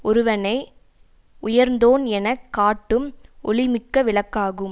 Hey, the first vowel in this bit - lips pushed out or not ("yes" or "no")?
yes